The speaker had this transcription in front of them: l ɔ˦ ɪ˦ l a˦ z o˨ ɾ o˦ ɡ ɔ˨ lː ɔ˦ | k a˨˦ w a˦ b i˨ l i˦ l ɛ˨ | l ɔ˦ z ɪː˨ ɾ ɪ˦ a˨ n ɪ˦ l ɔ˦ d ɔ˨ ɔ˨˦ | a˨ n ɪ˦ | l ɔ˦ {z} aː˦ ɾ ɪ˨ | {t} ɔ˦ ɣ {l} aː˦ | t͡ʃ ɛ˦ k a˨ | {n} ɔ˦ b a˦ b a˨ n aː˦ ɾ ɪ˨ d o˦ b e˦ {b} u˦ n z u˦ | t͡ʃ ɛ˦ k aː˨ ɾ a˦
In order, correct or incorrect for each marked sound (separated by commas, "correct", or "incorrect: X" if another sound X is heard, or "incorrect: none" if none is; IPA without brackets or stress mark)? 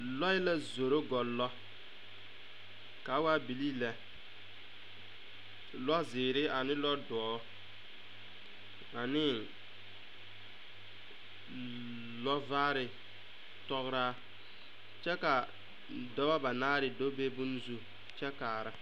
incorrect: v, correct, incorrect: ɾ, incorrect: d, correct